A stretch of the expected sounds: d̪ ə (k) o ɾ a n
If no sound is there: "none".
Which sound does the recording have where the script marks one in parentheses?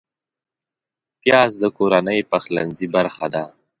k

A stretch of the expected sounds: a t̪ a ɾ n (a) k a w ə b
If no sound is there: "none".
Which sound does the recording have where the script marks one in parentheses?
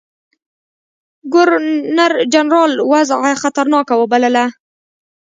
ɑ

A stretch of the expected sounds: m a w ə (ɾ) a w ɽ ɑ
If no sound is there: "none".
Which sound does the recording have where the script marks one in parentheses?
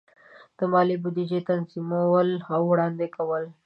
l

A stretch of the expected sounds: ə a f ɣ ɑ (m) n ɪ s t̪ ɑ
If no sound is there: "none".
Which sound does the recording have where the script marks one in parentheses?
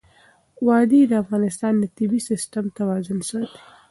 none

